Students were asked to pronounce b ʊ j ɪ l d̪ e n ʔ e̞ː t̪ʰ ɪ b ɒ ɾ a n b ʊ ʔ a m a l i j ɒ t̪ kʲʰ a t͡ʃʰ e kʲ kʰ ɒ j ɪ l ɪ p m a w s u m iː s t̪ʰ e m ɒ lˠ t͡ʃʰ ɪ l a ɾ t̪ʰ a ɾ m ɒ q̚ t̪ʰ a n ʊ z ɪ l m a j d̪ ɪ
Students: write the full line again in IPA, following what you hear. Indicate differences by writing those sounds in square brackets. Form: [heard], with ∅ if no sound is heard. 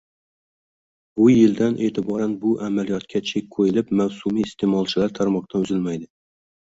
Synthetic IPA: b ʊ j ɪ l d̪ [a] n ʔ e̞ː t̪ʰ ɪ b ɒ ɾ a n b ʊ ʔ a m a l i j ɒ t̪ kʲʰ a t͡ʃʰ e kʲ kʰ [o] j ɪ l ɪ p m a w s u m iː s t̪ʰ e m ɒ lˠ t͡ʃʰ ɪ l a ɾ t̪ʰ a ɾ m ɒ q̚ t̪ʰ a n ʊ z ɪ l m a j d̪ ɪ